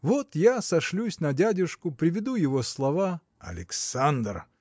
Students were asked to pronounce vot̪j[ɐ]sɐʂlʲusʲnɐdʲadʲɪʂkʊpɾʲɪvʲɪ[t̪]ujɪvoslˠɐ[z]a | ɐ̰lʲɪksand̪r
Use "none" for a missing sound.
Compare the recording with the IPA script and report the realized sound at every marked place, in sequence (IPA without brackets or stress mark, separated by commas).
a, d̪, v